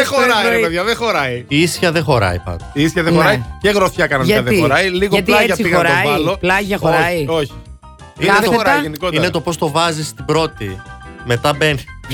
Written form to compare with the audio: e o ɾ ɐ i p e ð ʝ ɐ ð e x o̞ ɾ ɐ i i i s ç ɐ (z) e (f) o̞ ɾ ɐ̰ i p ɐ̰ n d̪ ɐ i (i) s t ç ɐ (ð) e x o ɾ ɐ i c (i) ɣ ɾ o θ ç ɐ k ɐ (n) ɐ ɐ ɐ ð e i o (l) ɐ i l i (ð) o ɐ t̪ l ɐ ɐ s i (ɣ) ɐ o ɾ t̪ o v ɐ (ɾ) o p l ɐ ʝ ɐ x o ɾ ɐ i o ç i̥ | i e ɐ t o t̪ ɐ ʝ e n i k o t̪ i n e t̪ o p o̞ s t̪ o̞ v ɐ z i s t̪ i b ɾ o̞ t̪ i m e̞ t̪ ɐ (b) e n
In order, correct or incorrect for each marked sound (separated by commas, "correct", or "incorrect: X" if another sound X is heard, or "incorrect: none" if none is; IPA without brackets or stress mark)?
incorrect: ð, incorrect: x, correct, correct, incorrect: e, correct, incorrect: ɾ, incorrect: ɣ, correct, incorrect: l, correct